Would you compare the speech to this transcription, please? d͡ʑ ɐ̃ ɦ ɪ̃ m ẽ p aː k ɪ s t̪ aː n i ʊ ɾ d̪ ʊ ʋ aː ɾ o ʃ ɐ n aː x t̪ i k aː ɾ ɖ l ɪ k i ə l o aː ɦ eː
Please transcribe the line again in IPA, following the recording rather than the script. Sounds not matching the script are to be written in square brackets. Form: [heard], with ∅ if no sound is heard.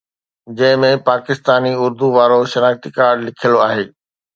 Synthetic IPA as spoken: d͡ʑ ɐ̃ ɦ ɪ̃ m ẽ p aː k ɪ s t̪ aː n i ʊ ɾ d̪ [u] ʋ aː ɾ o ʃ ɐ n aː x t̪ i k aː ɾ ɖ l ɪ [kʰ] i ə l o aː ɦ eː